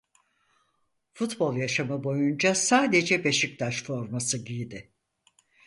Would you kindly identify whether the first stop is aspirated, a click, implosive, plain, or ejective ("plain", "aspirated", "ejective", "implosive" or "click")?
plain